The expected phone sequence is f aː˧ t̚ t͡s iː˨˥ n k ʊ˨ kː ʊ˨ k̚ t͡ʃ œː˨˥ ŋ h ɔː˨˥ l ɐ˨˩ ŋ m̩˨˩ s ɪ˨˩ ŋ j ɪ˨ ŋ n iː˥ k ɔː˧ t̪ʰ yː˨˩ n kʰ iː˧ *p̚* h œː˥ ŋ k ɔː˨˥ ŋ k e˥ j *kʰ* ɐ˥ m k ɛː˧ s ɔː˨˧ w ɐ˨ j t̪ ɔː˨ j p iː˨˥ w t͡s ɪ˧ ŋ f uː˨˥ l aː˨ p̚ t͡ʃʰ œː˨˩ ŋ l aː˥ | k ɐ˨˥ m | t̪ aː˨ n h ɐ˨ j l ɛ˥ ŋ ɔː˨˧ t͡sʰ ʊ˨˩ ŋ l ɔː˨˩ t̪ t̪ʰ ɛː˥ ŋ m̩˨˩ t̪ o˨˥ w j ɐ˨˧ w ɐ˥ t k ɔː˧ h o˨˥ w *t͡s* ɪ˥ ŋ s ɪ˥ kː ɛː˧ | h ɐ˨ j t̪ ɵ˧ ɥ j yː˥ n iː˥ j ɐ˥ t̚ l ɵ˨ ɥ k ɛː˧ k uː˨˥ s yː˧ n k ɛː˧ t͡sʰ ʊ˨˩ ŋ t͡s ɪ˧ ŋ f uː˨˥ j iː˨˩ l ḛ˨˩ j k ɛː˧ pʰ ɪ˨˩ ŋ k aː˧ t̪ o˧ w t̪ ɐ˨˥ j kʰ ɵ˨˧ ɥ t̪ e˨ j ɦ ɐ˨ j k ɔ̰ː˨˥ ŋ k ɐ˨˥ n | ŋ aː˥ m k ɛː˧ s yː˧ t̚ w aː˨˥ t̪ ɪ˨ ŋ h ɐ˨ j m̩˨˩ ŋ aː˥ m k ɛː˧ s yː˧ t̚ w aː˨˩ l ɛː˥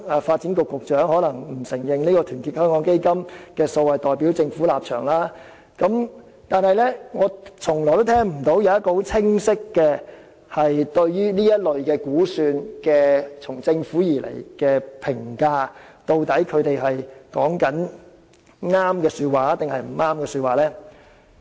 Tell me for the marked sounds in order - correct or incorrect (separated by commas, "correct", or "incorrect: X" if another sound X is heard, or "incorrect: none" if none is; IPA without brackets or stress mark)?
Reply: incorrect: t̚, incorrect: k, incorrect: t͡sʰ